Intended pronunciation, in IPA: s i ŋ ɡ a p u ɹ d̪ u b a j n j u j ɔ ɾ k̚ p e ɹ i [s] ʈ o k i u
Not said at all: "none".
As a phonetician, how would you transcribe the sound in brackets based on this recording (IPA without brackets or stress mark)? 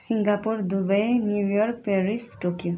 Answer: s